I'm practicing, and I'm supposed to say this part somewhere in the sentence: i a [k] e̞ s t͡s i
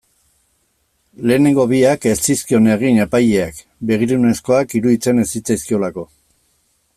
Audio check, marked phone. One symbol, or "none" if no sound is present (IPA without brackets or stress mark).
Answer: k